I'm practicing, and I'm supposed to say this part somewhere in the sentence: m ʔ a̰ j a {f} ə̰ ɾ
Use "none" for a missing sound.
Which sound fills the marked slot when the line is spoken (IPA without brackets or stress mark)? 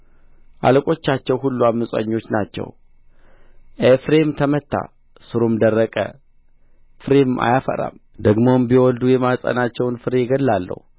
f